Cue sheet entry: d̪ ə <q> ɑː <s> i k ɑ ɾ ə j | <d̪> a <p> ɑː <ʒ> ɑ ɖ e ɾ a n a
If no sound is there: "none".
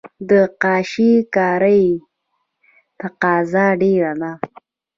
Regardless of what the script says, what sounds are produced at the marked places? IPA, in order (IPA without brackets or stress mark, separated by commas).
q, ʃ, t̪, q, z